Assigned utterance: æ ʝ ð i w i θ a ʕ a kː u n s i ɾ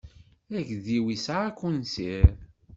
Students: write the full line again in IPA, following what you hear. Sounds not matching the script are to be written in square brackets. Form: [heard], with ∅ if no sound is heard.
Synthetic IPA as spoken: æ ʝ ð i w i [s] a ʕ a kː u n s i ɾ